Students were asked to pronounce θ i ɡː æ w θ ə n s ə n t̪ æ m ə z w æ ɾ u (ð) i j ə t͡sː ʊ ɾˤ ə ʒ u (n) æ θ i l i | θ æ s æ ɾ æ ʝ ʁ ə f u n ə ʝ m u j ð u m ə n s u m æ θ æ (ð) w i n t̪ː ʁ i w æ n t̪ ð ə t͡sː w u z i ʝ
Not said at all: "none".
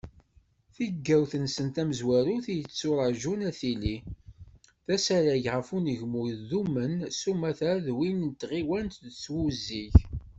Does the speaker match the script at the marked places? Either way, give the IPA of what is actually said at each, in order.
θ, n, ð

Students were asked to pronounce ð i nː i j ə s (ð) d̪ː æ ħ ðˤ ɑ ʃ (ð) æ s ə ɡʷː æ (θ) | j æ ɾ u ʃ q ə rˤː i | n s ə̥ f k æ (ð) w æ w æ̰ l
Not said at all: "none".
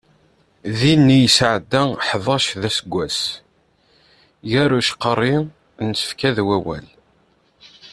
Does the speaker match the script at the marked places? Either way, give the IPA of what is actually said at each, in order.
ʕ, ð, s, ð

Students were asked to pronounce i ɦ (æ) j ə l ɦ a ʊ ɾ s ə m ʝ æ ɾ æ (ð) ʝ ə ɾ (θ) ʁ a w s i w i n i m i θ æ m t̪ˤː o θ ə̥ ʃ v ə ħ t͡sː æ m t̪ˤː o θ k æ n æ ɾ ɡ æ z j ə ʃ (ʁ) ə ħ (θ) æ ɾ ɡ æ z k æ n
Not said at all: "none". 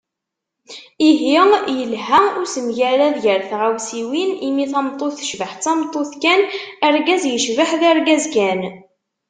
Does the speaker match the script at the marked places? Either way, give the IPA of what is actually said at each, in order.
i, ð, θ, v, ð

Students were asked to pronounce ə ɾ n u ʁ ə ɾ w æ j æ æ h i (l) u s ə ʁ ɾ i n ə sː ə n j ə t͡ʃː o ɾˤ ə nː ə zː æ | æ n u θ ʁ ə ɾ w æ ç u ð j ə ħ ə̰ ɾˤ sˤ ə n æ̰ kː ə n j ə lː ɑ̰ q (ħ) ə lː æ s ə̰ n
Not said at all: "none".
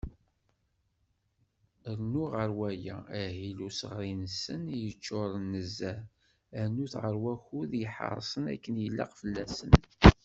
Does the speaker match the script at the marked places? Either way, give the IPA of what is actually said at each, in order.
l, f

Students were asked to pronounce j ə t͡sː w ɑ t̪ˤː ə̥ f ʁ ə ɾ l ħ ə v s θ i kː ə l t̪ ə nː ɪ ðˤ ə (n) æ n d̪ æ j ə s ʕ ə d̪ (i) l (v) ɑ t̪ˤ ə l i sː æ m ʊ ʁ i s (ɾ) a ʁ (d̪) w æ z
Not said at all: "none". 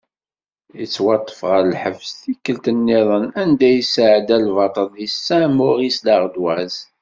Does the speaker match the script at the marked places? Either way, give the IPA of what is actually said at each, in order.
n, æ, v, l, d̪

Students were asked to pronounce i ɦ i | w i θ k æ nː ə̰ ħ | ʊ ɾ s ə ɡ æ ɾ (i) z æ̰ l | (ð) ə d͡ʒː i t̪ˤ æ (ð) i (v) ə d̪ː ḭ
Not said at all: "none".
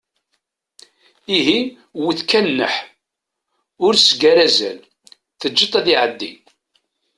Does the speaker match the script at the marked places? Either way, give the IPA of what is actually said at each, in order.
æ, θ, ð, ʕ

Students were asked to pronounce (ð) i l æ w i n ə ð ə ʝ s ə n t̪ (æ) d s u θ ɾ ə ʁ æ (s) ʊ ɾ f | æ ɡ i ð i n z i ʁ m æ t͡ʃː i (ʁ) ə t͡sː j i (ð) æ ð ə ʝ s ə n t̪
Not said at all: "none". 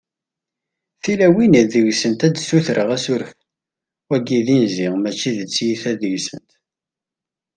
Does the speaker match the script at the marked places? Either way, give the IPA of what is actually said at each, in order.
θ, æ, s, ð, θ

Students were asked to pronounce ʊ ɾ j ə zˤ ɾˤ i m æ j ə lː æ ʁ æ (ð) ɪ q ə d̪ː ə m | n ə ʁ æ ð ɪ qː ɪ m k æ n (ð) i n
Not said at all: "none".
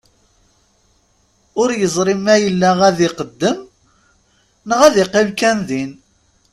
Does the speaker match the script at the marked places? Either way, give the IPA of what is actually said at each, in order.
ð, ð

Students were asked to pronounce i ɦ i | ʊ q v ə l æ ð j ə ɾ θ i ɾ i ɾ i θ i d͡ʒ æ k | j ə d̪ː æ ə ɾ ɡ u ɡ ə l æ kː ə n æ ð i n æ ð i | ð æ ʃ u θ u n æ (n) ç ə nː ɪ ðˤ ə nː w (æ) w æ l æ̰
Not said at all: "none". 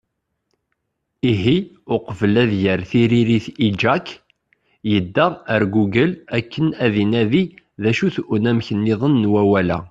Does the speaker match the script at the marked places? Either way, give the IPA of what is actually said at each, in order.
m, æ

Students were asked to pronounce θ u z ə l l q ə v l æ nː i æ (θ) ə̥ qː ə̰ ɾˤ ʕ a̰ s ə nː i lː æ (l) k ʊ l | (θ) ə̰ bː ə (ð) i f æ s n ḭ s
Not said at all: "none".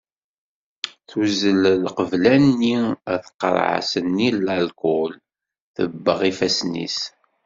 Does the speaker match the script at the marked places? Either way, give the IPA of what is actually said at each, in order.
θ, l, θ, ʁ

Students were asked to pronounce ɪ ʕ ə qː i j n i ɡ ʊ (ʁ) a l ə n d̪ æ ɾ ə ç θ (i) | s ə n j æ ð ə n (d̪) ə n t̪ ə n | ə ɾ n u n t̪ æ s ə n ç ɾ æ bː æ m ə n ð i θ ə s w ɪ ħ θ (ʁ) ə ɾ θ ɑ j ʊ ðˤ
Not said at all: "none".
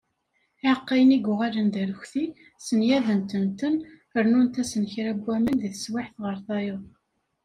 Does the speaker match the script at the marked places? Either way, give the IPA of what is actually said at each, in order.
ʁ, i, t̪, ʁ

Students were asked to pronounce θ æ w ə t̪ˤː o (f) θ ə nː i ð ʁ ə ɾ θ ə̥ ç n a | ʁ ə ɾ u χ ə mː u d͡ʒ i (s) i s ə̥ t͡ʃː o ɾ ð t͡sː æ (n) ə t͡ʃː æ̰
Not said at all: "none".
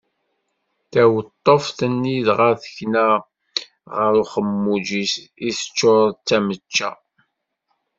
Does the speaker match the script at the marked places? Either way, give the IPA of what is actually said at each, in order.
f, s, m

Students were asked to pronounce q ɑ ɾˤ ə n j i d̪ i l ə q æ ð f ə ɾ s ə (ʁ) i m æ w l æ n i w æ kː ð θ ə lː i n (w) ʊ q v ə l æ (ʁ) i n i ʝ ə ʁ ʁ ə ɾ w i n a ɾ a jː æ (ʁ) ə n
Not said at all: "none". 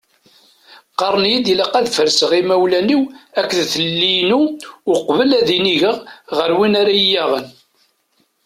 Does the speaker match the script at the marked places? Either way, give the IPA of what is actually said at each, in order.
ʁ, u, ð, ʁ

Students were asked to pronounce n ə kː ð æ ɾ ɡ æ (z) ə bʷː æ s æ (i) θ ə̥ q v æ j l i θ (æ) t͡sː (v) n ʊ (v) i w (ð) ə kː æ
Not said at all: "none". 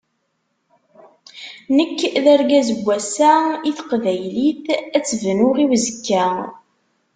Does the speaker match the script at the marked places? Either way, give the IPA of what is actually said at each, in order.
z, i, æ, v, ʁ, z

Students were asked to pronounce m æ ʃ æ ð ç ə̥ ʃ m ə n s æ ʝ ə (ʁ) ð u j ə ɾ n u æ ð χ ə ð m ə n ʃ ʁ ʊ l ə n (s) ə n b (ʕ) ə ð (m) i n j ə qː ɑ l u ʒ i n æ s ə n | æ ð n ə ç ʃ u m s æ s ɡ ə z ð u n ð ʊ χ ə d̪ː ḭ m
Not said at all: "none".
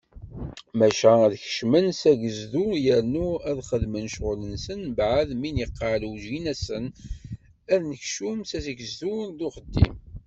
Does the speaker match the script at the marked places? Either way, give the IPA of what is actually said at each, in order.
z, s, ʕ, m

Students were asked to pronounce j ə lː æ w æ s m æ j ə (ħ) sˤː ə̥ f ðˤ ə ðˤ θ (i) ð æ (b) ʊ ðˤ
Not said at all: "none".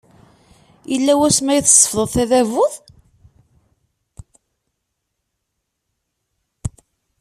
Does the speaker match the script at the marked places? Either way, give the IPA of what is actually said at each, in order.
θ, æ, v

